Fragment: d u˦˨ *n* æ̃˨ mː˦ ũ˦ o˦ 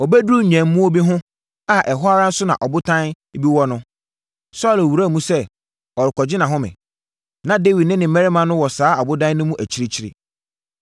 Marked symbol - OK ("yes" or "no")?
no